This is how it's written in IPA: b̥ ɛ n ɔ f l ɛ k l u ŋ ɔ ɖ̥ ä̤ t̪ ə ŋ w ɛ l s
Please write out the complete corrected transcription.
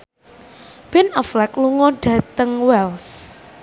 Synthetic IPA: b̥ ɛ n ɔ f l ɛ k l u ŋ ɔ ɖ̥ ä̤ t̪ ə ŋ w ɛ l s